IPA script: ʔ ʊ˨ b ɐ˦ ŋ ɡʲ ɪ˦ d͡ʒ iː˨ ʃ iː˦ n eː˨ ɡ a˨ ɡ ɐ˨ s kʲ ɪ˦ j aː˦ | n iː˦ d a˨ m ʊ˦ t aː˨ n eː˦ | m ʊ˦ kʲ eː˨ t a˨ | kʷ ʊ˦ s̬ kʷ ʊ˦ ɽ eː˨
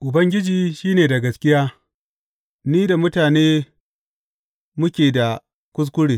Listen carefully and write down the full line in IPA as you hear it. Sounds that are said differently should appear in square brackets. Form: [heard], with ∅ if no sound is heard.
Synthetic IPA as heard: ʔ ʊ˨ b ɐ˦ ŋ ɡʲ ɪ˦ d͡ʒ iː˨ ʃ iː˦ n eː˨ [d] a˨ ɡ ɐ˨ s kʲ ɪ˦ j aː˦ | n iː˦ d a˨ m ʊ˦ t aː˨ n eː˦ | m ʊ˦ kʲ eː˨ [d] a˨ | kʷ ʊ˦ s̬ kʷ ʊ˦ ɽ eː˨